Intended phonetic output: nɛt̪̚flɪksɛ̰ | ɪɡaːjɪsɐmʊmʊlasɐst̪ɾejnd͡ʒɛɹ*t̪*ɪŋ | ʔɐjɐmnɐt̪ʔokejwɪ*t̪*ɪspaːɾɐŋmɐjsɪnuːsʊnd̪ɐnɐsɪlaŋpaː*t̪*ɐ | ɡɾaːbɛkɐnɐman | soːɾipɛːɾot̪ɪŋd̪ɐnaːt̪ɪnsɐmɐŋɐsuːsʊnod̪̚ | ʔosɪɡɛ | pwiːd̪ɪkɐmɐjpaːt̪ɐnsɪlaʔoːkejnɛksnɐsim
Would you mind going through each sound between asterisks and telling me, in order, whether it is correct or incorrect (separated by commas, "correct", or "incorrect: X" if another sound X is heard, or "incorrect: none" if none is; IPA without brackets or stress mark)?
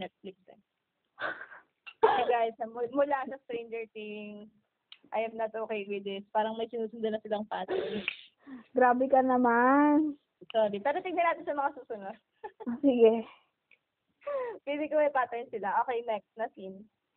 correct, incorrect: d̪, correct